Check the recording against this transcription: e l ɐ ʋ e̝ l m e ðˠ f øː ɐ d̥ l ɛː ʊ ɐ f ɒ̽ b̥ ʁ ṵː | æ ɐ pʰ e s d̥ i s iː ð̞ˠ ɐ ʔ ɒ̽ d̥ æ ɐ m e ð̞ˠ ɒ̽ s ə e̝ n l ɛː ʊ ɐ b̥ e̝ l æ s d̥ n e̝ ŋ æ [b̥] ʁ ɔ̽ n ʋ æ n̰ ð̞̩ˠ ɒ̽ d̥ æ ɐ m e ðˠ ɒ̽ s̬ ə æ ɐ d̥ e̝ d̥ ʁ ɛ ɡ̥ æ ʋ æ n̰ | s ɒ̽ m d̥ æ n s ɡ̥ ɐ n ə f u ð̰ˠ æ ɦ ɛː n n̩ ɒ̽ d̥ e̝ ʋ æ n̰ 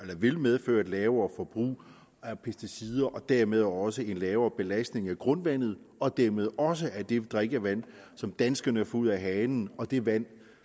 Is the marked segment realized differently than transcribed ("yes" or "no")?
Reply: yes